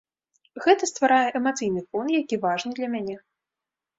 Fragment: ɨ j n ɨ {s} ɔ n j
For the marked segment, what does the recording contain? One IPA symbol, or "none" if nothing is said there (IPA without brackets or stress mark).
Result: f